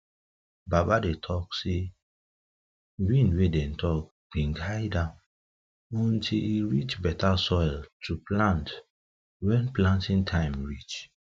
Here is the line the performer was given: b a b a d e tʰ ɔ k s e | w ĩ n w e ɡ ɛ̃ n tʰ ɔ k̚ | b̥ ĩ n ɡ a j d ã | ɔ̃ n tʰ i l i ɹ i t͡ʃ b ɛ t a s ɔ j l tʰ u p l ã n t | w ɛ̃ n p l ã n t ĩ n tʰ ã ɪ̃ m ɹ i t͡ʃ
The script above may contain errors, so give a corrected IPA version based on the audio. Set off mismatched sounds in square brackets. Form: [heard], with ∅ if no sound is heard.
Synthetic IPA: b a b a d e tʰ ɔ k s e | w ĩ n w e [d] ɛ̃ n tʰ ɔ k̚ | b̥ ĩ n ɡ a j d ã | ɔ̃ n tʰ i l i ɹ i t͡ʃ b ɛ t a s ɔ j l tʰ u p l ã n t | w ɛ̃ n p l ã n t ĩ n tʰ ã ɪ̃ m ɹ i t͡ʃ